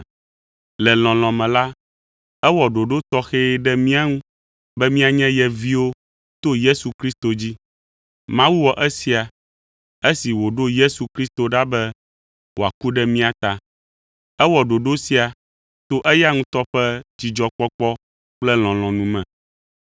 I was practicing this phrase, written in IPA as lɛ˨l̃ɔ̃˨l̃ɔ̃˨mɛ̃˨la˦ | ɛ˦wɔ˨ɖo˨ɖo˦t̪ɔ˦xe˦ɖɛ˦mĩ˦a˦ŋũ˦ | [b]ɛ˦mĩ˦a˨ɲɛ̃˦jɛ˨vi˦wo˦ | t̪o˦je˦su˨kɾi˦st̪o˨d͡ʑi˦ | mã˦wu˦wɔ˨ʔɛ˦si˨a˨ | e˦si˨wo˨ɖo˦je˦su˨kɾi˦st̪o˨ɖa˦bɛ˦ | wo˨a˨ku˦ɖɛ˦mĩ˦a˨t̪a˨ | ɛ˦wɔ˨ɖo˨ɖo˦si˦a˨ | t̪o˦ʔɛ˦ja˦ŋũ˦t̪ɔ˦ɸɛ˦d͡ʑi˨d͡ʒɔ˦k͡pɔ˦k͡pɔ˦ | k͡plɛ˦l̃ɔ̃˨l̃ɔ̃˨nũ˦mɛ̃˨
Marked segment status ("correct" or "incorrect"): correct